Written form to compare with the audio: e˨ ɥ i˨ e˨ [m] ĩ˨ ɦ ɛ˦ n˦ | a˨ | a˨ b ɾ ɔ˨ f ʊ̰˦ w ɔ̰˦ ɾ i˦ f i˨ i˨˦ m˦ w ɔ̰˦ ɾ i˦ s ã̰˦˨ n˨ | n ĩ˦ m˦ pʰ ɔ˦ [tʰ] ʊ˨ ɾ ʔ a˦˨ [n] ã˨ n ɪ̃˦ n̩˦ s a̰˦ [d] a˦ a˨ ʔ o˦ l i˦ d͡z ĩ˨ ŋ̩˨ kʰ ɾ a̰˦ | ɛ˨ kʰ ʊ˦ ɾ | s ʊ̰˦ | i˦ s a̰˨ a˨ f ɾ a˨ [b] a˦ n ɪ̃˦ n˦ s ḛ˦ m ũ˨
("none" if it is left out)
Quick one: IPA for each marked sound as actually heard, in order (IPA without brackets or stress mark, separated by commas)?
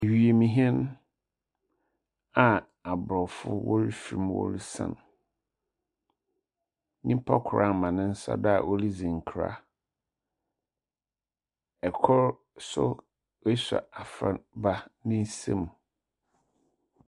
m, kʰ, m, d, b